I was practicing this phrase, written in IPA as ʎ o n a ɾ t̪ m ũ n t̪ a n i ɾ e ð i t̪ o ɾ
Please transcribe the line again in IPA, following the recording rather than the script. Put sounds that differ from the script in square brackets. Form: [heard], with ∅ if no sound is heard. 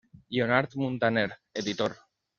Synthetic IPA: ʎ o n a ɾ t̪ m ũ n t̪ a n [e] ɾ e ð i t̪ o ɾ